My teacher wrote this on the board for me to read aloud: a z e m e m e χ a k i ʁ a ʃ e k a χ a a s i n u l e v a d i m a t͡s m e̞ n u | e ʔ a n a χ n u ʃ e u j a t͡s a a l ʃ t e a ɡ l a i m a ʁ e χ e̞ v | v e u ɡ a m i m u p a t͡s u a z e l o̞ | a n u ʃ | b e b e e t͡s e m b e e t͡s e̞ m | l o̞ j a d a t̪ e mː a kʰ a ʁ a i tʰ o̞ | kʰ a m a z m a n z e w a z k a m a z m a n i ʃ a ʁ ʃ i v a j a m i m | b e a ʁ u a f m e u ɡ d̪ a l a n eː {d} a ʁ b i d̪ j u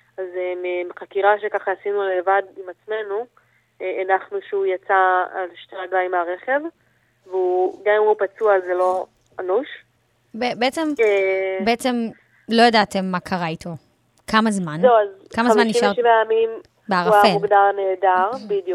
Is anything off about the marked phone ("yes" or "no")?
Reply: no